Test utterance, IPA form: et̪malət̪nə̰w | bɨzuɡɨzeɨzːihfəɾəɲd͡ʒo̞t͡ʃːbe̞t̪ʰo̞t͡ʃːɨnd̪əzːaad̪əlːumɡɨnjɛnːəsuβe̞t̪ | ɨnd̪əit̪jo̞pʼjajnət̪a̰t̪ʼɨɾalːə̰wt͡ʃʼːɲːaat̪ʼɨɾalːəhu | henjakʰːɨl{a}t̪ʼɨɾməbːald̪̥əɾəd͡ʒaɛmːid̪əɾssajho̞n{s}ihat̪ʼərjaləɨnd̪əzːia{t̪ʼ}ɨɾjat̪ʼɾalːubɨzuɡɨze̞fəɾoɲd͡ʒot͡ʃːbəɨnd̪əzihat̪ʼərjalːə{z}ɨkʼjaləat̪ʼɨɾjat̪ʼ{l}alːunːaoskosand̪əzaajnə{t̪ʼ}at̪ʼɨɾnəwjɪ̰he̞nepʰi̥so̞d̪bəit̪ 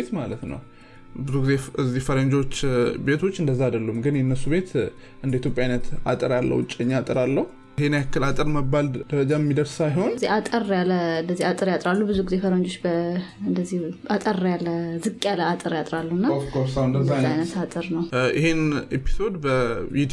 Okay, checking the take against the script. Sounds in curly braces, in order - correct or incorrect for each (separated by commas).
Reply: correct, incorrect, correct, correct, incorrect, incorrect